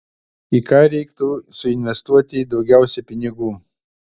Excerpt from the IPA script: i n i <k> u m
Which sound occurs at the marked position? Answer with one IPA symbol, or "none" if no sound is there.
ɡ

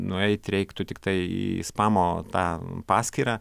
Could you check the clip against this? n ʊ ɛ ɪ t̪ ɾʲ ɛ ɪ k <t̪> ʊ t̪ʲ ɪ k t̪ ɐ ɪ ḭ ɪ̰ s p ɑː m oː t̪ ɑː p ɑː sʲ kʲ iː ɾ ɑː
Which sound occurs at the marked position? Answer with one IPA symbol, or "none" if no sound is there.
t̪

